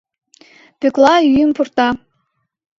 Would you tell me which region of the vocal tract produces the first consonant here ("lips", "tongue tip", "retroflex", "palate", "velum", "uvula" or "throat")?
lips